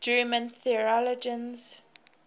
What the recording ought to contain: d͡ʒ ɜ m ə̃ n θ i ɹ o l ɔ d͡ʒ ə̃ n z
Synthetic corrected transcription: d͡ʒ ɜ m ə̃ n θ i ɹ ɔ l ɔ d͡ʒ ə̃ n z